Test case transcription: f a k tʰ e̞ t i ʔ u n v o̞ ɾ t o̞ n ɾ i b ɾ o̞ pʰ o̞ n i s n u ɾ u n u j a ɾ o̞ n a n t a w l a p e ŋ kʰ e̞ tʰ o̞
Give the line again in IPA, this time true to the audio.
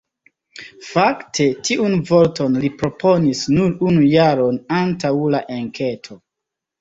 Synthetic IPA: f a k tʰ e̞ t i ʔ u n v o̞ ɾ t o̞ n l i p ɾ o̞ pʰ o̞ n i s n u ɾ u n u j a ɾ o̞ n a n t a w l a ʔ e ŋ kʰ e̞ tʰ o̞